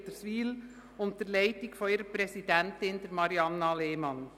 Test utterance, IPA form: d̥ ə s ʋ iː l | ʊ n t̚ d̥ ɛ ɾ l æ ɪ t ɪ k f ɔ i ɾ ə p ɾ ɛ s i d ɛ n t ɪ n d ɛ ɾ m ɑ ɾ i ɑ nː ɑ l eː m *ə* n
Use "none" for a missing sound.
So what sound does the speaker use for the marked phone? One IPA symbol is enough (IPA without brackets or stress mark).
ɑ